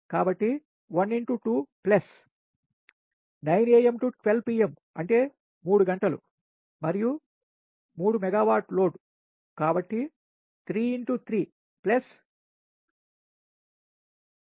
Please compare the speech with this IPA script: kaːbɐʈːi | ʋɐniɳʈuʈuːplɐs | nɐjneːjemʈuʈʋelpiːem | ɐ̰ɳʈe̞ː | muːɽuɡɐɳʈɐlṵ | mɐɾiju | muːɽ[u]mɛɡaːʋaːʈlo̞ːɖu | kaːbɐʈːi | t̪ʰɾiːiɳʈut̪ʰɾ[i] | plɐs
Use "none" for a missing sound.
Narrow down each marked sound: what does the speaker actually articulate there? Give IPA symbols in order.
u, iː

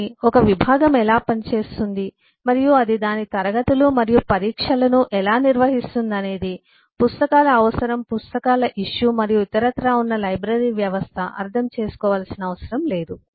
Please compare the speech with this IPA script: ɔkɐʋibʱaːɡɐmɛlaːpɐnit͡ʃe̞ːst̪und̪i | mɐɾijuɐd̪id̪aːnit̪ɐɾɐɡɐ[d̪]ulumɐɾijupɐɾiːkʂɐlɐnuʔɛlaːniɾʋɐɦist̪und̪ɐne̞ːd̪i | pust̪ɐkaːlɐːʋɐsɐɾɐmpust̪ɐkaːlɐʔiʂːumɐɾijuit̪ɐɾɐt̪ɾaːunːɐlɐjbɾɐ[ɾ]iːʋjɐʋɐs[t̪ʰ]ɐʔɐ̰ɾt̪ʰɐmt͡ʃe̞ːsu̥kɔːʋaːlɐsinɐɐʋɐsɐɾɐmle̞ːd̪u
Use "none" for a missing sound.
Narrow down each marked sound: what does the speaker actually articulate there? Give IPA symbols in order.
t̪, ɾ, t̪ʰ

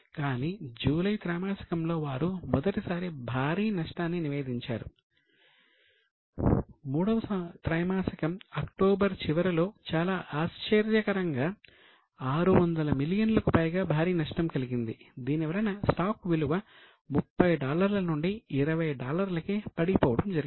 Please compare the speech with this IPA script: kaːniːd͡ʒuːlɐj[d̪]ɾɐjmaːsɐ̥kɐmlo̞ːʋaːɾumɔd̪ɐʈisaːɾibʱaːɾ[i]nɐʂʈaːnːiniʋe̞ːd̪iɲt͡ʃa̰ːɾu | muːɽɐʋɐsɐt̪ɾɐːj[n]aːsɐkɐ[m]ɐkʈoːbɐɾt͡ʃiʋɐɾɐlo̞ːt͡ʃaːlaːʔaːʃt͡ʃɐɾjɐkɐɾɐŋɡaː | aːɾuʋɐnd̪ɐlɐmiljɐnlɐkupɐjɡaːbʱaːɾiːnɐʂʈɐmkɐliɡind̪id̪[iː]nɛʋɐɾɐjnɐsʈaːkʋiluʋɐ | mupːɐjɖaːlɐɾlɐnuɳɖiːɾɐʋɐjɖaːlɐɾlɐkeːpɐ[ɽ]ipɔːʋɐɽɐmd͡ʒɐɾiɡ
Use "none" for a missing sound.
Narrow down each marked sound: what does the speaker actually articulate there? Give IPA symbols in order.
t̪, iː, m, m, iː, ɽ

